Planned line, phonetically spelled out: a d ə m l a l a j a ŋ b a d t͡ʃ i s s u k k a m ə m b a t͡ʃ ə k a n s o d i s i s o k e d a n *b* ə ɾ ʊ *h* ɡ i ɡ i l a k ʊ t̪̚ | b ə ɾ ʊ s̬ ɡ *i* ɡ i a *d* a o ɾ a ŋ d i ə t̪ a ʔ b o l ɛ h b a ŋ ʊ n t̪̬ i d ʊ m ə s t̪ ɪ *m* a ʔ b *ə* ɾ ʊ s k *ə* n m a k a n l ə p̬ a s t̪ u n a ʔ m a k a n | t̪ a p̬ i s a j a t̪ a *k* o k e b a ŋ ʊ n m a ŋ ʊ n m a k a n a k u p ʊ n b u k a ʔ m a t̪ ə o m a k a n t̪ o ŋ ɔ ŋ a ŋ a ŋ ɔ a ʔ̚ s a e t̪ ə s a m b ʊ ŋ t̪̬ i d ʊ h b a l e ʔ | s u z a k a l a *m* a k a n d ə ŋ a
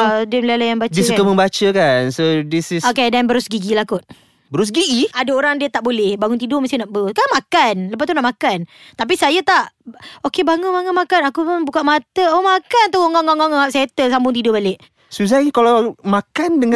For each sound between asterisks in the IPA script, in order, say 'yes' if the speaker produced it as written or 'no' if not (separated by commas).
yes, no, yes, yes, no, yes, no, no, yes